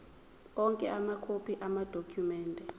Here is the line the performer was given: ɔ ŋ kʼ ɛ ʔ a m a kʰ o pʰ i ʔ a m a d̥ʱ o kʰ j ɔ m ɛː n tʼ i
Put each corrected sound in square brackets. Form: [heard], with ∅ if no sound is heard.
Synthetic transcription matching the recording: ɔ ŋ kʼ ɛ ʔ a m a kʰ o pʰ i ʔ a m a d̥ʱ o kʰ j [u] m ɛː n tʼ [ɛ]